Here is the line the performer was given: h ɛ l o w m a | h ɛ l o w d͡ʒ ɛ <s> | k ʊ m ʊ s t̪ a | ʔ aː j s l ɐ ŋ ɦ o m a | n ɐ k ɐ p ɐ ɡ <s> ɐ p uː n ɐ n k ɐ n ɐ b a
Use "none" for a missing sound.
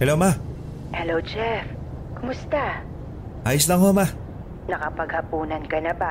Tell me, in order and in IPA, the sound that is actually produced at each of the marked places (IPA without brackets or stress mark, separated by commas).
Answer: f, h